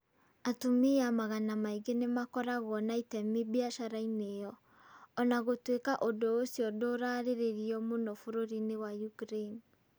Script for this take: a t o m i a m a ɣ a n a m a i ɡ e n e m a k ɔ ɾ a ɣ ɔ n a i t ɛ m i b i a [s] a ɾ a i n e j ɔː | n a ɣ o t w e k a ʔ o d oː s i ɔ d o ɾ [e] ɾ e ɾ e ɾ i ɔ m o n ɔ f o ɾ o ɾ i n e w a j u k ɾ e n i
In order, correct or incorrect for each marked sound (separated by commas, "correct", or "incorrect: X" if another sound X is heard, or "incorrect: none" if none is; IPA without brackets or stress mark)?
incorrect: ʃ, incorrect: a